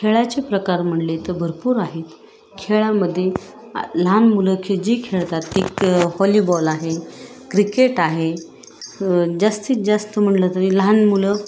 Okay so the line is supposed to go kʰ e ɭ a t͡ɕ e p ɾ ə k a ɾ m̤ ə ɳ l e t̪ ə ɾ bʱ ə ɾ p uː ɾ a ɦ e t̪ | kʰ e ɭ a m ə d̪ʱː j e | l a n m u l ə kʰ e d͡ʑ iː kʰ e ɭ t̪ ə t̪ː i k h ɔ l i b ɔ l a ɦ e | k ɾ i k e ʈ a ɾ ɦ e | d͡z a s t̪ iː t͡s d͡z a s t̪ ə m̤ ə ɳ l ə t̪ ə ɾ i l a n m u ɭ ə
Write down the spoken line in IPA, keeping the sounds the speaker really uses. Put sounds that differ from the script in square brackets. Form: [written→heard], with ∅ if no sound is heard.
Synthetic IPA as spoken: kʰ e ɭ a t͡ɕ e p ɾ ə k a ɾ m̤ ə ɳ l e t̪ ə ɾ bʱ ə ɾ p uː ɾ a ɦ e t̪ | kʰ e ɭ a m ə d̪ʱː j e | l a n m u l ə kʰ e d͡ʑ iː kʰ e ɭ t̪ [ə→a] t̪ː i k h ɔ l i b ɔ l a ɦ e | k ɾ i k e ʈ a [ɾ→∅] ɦ e | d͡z a s t̪ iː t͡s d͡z a s t̪ ə m̤ ə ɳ l ə t̪ ə ɾ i l a n m u [ɭ→l] ə